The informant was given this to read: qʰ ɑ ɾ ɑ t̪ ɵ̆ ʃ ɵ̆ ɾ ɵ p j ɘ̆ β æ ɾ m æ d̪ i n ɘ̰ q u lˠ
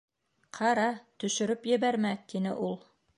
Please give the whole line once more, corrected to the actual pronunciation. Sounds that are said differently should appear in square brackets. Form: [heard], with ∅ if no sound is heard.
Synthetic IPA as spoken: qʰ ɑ ɾ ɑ t̪ ɵ̆ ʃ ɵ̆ ɾ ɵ p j ɘ̆ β æ ɾ m æ [t̪] i n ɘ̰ [ʔ] u lˠ